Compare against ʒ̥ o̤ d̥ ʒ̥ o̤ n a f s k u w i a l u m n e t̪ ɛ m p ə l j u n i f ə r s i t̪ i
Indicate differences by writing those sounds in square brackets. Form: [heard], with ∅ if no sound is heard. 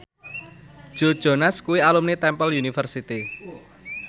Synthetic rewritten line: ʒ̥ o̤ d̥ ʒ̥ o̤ n a [∅] s k u w i a l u m n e t̪ ɛ m p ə l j u n i f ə r s i t̪ i